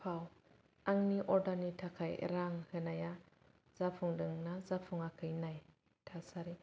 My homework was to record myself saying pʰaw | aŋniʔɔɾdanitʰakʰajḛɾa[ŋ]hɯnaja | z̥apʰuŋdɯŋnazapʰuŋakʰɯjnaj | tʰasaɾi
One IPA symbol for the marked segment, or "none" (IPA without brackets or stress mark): ŋ